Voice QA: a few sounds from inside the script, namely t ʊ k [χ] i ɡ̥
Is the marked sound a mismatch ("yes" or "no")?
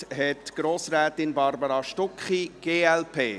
no